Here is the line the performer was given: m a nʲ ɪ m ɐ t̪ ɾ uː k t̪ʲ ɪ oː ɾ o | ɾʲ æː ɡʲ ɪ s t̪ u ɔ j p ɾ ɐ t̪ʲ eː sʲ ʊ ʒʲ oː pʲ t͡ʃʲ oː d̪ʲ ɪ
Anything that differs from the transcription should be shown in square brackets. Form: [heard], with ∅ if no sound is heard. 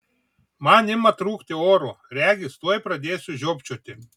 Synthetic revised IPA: m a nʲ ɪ m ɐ t̪ ɾ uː k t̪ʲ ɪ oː ɾ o | ɾʲ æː ɡʲ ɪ s t̪ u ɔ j p ɾ ɐ [d̪ʲ] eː sʲ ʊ ʒʲ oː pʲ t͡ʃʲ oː [t̪ʲ] ɪ